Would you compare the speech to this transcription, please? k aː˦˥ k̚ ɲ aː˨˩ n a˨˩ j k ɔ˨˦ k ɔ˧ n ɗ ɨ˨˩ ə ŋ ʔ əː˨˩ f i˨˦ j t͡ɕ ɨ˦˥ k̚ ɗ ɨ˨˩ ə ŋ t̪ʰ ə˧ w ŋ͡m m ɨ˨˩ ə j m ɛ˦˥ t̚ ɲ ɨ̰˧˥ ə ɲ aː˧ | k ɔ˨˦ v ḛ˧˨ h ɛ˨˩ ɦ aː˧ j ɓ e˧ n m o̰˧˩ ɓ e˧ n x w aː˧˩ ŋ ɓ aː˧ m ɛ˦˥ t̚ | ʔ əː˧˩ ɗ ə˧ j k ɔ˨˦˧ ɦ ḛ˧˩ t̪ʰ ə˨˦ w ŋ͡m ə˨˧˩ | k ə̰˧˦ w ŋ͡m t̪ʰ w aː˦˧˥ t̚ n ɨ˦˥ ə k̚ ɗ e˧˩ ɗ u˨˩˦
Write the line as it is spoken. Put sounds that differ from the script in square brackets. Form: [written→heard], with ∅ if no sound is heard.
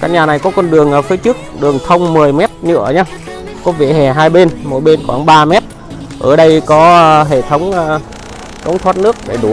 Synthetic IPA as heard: k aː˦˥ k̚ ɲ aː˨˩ n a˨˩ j k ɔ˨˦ k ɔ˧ n ɗ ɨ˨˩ ə ŋ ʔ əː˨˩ f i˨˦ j t͡ɕ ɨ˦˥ k̚ ɗ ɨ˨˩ ə ŋ t̪ʰ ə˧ w ŋ͡m m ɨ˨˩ ə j m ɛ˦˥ t̚ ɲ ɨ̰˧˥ ə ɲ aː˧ | k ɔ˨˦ v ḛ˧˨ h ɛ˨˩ ɦ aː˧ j ɓ e˧ n m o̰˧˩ ɓ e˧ n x w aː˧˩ ŋ ɓ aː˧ m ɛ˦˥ t̚ | ʔ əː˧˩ ɗ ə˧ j k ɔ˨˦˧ ɦ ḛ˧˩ t̪ʰ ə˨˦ w ŋ͡m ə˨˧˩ | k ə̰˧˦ w ŋ͡m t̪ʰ w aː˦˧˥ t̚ n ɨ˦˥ ə k̚ ɗ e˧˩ ɗ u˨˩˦